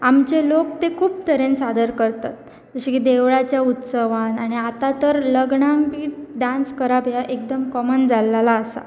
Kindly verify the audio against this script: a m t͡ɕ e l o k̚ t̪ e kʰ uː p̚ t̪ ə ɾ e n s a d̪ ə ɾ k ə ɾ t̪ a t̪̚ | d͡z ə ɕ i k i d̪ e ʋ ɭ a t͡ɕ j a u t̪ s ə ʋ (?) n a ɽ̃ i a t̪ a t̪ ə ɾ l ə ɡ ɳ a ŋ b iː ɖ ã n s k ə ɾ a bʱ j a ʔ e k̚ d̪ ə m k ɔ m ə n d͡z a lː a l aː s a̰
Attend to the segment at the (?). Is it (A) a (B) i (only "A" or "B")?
A